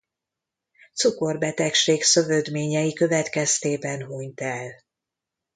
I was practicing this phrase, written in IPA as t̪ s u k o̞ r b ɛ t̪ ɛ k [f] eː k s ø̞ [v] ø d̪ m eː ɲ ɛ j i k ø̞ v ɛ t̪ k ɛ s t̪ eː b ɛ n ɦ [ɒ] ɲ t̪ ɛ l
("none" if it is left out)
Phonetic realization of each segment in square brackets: ʃ, v, u

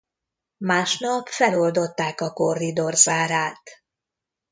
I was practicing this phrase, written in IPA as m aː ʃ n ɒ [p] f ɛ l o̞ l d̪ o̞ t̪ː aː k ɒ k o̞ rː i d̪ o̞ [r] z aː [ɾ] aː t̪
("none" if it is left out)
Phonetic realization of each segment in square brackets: p, r, ɾ

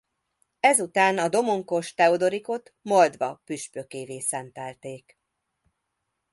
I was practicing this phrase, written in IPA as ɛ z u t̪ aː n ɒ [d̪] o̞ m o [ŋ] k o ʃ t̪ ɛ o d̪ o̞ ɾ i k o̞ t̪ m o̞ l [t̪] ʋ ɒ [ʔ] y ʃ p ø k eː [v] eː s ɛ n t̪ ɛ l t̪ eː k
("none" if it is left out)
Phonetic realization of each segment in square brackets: d̪, ŋ, d̪, p, v

